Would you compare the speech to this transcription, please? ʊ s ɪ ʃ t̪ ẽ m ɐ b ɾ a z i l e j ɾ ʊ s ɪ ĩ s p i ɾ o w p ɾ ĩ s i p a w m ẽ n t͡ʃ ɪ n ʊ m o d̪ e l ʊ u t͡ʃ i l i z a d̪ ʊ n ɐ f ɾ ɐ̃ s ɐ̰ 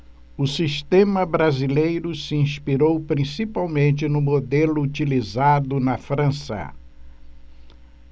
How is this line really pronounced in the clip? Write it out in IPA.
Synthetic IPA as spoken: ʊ s i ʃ t̪ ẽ m ɐ b ɾ a z i l e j ɾ ʊ s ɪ ĩ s p i ɾ o w p ɾ ĩ s i p a w m ẽ n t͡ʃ ɪ n ʊ m o d̪ e l ʊ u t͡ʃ i l i z a d̪ ʊ n ɐ f ɾ ɐ̃ s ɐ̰